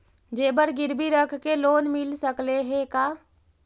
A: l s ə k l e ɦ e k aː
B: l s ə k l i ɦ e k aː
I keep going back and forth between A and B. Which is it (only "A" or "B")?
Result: A